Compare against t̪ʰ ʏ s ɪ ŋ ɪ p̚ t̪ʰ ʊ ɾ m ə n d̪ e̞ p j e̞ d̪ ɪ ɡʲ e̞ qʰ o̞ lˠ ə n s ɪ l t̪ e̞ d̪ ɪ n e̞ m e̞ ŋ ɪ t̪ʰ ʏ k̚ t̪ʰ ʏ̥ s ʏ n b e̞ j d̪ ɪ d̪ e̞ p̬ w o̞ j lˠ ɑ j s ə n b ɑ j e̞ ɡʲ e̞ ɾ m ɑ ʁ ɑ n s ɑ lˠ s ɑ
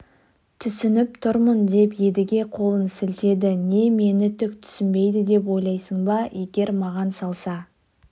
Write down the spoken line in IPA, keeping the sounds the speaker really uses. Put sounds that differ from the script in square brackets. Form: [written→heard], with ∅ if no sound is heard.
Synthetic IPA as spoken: t̪ʰ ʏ s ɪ [ŋ→n] ɪ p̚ t̪ʰ ʊ ɾ m ə n d̪ e̞ p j e̞ d̪ ɪ ɡʲ e̞ qʰ o̞ lˠ ə n s ɪ l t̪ e̞ d̪ ɪ n e̞ m e̞ [ŋ→n] ɪ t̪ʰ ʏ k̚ t̪ʰ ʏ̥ s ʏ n b e̞ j d̪ ɪ d̪ e̞ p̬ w o̞ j lˠ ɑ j s ə [n→ɴ] b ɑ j e̞ ɡʲ e̞ ɾ m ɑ ʁ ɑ n s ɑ lˠ s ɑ

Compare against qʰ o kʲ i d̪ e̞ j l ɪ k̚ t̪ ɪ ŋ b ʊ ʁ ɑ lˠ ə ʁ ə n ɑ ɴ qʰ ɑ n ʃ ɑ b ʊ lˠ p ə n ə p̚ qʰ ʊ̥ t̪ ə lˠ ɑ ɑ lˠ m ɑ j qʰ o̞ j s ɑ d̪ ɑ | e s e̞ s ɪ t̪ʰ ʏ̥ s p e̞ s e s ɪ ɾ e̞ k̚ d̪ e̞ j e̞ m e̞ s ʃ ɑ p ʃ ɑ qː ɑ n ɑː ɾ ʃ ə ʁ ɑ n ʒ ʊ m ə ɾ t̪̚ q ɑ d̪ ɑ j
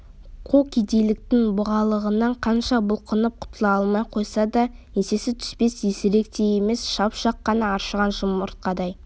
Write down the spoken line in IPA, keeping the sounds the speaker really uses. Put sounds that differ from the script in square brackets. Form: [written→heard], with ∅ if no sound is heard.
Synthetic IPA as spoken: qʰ o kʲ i d̪ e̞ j l ɪ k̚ t̪ ɪ ŋ b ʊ ʁ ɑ lˠ ə ʁ ə n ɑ ɴ qʰ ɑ n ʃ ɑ b ʊ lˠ [p→q] ə n ə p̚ qʰ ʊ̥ t̪ ə lˠ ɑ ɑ lˠ m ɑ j qʰ o̞ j s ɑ d̪ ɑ | e s e̞ s ɪ t̪ʰ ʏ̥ s p e̞ s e s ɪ ɾ e̞ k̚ [d̪→t̪] e̞ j e̞ m e̞ s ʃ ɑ p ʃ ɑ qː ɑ n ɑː ɾ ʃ ə ʁ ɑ n ʒ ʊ m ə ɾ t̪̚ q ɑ d̪ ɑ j

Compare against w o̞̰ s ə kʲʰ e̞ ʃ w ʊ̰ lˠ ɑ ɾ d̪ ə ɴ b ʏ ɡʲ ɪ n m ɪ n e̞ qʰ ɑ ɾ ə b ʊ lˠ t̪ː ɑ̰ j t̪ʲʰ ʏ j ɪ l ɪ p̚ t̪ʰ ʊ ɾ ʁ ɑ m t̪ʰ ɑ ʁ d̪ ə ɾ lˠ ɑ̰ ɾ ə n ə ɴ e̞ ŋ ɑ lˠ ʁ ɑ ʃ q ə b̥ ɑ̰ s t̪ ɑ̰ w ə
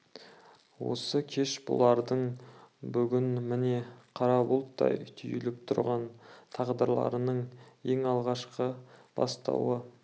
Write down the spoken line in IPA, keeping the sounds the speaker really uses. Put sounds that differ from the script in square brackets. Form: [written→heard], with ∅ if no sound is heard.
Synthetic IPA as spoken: w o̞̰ s ə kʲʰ e̞ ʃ [w→b] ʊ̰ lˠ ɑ ɾ d̪ ə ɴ b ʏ ɡʲ ɪ n m ɪ n e̞ qʰ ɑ ɾ [ə→ɑ] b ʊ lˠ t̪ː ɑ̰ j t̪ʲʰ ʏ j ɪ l ɪ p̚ t̪ʰ ʊ ɾ ʁ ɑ [m→n] t̪ʰ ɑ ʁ d̪ ə ɾ lˠ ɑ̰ ɾ ə n ə ɴ e̞ ŋ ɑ lˠ ʁ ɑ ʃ q ə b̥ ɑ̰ s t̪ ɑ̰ w ə

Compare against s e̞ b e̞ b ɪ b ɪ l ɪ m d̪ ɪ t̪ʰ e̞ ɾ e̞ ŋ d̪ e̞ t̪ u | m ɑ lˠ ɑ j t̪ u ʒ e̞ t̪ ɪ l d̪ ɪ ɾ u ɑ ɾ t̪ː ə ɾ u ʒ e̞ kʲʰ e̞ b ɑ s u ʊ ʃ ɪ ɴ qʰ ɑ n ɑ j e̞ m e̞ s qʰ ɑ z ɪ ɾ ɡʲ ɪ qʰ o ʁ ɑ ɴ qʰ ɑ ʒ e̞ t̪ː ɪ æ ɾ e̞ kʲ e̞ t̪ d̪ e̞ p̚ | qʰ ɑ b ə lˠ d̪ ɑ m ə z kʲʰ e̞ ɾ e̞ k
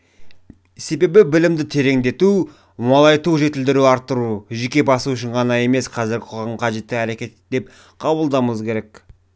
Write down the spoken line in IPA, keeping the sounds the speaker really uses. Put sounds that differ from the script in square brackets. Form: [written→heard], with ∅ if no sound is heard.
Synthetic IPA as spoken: s e̞ b e̞ b ɪ b ɪ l ɪ m d̪ ɪ t̪ʰ e̞ ɾ e̞ ŋ d̪ e̞ t̪ u | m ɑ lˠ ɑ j t̪ u ʒ e̞ t̪ ɪ l d̪ ɪ ɾ u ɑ ɾ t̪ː ə ɾ u ʒ e̞ [kʲʰ→kʲ] e̞ b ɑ s u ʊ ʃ ɪ ɴ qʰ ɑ n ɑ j e̞ m e̞ s qʰ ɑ z ɪ ɾ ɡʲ ɪ qʰ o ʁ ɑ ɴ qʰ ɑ ʒ e̞ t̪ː ɪ æ ɾ e̞ kʲ e̞ t̪ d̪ e̞ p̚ | qʰ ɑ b ə lˠ d̪ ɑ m ə z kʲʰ e̞ ɾ e̞ k

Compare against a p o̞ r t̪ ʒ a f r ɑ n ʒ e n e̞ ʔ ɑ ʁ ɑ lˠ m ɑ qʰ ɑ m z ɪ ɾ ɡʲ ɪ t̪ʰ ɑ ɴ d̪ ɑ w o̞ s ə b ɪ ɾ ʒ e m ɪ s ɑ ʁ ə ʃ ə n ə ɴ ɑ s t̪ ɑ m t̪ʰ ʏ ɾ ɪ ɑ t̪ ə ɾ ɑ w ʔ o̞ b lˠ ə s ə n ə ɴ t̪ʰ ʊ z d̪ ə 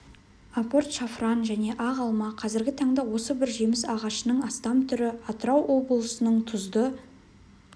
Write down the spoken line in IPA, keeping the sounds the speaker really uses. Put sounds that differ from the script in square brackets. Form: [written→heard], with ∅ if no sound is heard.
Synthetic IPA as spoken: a p o̞ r t̪ [ʒ→ʃ] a f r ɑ n ʒ [e→æ] n e̞ ʔ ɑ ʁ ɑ lˠ m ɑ qʰ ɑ [m→∅] z ɪ ɾ ɡʲ ɪ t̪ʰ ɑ ɴ d̪ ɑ w o̞ s ə b ɪ ɾ ʒ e m ɪ s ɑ ʁ [ə→ɑ] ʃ ə n ə ɴ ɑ s t̪ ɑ m t̪ʰ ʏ ɾ ɪ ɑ t̪ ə ɾ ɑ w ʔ o̞ b lˠ ə s ə n ə ɴ t̪ʰ ʊ z d̪ ə

